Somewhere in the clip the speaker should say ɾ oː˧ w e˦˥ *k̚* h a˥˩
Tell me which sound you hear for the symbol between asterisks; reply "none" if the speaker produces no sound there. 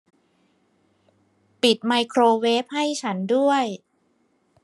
p̚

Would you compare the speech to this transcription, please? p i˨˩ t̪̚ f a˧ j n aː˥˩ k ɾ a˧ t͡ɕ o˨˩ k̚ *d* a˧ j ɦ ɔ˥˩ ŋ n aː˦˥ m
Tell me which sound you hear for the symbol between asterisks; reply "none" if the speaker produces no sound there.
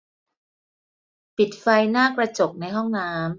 n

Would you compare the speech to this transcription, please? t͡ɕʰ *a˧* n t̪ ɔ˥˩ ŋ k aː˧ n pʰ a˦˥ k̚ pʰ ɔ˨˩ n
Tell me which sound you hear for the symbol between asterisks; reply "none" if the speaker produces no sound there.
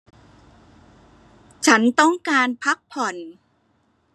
a˦˥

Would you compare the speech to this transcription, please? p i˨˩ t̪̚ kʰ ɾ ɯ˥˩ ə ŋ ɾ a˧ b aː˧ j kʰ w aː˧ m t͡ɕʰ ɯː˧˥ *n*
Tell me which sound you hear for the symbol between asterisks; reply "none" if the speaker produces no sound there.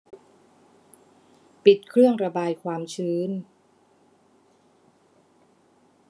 n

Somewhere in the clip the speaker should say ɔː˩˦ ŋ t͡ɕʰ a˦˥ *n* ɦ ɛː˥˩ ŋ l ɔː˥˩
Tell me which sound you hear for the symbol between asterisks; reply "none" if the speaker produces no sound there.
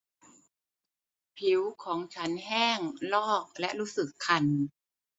n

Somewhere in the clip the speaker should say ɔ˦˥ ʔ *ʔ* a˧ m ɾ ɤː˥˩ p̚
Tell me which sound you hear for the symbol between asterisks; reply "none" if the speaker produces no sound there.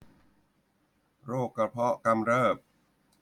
k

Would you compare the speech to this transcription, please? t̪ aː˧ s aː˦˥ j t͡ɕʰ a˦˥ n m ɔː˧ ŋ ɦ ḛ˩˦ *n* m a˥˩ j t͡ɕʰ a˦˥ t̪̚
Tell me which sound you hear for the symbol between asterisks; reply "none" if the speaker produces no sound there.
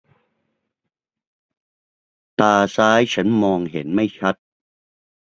n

